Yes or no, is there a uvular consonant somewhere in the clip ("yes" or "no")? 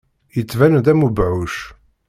no